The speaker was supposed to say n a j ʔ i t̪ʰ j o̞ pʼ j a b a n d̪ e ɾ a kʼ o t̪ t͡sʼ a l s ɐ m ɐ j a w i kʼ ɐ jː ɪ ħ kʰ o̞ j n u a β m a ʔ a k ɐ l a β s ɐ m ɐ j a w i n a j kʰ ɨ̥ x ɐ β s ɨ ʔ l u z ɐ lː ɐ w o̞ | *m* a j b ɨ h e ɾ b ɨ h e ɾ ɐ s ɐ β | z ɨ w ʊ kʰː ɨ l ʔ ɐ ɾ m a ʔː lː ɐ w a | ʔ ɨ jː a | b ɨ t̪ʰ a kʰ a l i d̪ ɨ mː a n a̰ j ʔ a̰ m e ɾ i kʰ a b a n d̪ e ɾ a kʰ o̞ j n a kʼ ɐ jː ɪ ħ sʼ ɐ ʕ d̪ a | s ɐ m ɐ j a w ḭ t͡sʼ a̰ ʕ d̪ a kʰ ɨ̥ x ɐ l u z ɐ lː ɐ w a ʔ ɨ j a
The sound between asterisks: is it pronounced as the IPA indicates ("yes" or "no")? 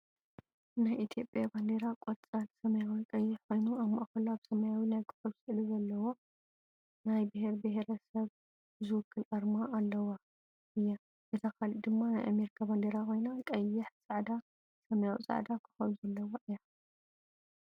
no